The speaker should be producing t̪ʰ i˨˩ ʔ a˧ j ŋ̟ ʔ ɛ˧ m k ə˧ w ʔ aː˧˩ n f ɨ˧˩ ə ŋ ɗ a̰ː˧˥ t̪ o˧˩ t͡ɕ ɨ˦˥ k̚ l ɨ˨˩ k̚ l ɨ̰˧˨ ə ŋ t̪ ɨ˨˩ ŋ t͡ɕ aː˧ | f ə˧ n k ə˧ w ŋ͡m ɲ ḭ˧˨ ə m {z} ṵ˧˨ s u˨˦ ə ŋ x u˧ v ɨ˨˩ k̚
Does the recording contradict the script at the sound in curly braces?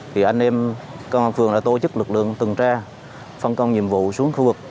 yes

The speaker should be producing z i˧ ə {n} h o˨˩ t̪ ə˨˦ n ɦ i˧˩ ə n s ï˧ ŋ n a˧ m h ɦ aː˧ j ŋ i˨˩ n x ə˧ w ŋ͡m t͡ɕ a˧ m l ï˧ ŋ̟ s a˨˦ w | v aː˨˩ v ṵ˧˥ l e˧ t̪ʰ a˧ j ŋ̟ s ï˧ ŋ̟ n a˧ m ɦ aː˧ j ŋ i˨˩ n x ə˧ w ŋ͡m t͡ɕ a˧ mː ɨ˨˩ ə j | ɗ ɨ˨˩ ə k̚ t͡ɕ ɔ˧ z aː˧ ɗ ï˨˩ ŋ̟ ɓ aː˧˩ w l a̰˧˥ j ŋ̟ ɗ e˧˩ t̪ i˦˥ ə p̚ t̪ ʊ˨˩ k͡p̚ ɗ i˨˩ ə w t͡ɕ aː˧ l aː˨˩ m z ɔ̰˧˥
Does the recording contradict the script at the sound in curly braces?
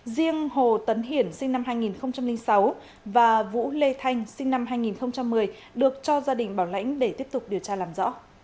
yes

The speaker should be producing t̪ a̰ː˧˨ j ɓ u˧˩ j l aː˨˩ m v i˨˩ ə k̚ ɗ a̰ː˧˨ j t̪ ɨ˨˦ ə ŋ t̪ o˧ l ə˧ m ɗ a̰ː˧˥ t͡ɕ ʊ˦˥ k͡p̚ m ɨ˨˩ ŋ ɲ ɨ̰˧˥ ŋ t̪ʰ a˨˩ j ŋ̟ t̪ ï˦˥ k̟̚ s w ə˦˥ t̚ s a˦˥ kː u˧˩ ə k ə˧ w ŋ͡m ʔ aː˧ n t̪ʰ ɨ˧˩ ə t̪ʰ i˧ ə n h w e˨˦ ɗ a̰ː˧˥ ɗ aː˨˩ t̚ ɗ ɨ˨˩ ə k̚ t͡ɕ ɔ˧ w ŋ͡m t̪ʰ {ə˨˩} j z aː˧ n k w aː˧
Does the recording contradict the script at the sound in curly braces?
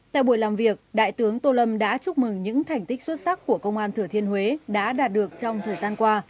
yes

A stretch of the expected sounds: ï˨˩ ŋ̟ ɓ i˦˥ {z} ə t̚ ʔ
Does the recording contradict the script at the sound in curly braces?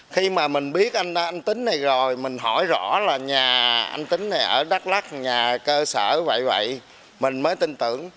yes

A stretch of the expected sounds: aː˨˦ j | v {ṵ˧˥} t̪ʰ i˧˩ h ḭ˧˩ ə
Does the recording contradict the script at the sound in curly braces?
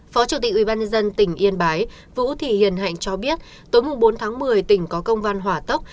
no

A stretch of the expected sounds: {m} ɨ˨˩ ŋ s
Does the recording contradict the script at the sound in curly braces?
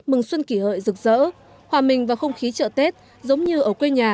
no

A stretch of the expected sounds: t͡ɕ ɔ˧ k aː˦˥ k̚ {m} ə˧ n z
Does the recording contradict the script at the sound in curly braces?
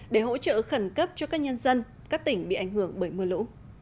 yes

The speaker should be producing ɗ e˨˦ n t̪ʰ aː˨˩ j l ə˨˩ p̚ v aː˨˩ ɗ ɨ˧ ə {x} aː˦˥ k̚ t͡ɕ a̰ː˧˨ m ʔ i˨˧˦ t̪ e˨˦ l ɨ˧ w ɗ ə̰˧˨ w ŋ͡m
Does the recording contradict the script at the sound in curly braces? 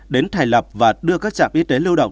yes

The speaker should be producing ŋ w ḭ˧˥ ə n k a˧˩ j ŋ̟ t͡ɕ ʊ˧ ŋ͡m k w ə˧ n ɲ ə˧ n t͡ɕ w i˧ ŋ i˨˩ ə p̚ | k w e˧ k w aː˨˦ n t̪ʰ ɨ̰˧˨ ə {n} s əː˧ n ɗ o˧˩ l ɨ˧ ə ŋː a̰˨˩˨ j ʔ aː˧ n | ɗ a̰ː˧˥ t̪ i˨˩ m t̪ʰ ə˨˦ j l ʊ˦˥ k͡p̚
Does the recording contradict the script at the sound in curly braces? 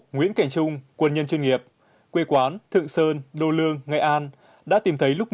yes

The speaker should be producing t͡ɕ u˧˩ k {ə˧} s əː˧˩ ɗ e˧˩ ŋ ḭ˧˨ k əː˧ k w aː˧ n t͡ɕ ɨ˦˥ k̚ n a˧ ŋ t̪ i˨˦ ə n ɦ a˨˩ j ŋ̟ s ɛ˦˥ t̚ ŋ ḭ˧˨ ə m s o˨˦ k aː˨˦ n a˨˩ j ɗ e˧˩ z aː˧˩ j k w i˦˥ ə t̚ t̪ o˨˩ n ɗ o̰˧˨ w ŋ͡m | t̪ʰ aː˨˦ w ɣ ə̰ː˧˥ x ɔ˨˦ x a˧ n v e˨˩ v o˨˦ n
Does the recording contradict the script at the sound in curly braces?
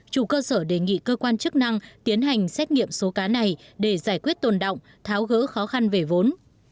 yes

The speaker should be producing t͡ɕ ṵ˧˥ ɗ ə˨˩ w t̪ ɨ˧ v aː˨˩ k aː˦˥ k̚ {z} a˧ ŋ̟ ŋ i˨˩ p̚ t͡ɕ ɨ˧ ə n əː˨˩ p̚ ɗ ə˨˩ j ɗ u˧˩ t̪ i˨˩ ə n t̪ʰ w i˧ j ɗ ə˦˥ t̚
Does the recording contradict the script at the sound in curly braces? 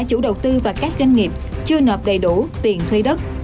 no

